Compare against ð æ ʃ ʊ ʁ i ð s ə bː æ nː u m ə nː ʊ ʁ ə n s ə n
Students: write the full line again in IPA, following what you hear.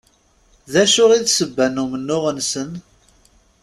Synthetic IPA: ð æ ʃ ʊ ʁ i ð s ə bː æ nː u m ə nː ʊ ʁ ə n s ə n